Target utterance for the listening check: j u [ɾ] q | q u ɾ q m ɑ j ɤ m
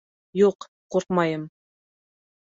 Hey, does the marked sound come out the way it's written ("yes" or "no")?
no